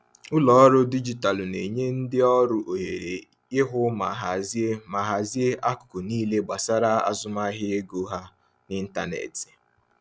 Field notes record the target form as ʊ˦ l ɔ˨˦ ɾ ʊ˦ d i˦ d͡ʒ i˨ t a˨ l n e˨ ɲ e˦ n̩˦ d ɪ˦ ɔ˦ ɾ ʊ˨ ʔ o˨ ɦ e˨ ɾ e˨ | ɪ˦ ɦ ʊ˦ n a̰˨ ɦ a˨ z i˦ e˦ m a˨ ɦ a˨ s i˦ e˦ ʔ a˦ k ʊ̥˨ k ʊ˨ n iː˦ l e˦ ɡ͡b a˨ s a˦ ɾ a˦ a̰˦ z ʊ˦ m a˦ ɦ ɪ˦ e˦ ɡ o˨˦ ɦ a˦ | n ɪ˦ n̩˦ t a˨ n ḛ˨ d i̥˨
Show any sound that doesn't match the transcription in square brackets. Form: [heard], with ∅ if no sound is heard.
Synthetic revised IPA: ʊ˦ l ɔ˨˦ ɾ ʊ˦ d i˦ d͡ʒ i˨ t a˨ l n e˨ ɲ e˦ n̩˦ d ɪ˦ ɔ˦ ɾ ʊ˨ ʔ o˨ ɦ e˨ ɾ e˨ | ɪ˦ ɦ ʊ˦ [m] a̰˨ ɦ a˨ z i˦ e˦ m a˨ ɦ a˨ [z] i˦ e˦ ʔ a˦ k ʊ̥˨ k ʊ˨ n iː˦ l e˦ ɡ͡b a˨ s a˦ ɾ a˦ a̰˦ z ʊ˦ m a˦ ɦ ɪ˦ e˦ ɡ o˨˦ ɦ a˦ | n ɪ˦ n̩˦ t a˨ n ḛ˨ [t] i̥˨

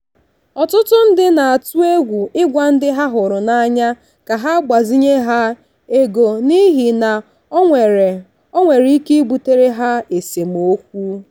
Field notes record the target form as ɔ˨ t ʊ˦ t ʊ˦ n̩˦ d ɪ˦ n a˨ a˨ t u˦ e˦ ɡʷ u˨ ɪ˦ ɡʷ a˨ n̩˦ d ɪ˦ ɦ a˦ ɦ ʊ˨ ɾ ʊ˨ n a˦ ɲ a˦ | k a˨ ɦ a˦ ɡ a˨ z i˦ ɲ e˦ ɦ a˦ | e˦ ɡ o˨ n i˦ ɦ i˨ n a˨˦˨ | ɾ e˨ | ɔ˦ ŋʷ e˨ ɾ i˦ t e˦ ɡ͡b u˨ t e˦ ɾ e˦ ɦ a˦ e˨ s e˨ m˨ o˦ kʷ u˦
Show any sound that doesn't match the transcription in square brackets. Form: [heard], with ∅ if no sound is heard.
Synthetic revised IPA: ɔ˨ t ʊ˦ t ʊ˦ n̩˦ d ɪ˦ n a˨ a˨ t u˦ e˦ ɡʷ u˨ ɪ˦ ɡʷ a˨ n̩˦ d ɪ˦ ɦ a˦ ɦ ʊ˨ ɾ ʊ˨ n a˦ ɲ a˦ | k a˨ ɦ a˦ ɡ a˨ z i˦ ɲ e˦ ɦ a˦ | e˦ ɡ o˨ n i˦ ɦ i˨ n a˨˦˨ | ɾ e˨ | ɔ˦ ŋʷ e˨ ɾ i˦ [k] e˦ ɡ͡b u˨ t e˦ ɾ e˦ ɦ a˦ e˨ s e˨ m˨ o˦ kʷ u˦

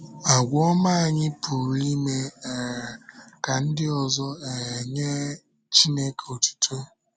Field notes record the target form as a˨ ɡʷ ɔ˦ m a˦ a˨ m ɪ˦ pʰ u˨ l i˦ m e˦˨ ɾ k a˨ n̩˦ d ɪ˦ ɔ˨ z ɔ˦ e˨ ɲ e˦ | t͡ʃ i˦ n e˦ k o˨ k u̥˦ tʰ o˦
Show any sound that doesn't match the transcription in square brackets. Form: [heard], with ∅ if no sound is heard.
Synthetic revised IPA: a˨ ɡʷ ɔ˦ m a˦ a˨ [ɲ] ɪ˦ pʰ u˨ [ɾ] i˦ m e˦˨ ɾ k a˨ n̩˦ d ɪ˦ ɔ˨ z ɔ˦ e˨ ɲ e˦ | t͡ʃ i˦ n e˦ k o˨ [t] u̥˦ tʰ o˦

